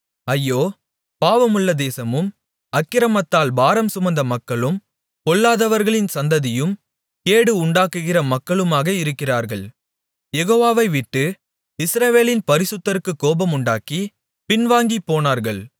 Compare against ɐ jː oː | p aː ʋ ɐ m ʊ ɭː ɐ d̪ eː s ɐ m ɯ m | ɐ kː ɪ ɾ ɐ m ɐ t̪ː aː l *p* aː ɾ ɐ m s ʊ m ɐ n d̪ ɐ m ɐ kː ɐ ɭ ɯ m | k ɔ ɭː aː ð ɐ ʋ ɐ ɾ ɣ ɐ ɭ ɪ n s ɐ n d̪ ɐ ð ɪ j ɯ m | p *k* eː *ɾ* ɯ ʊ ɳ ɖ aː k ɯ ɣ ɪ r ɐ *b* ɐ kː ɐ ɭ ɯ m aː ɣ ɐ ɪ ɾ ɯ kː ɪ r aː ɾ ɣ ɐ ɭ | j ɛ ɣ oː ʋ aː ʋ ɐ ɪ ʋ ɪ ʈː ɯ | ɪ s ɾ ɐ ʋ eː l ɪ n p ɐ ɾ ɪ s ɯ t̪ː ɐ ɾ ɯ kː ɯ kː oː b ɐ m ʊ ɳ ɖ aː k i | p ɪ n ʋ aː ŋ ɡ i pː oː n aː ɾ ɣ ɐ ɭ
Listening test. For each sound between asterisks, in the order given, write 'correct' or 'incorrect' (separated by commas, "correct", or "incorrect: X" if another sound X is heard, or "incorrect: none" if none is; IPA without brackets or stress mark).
incorrect: b, correct, incorrect: ɽ, incorrect: m